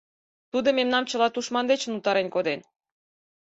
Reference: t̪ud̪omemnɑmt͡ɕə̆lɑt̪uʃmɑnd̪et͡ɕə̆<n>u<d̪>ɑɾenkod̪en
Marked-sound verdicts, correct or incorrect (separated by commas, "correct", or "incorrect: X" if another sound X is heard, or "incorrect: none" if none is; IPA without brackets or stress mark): correct, incorrect: t̪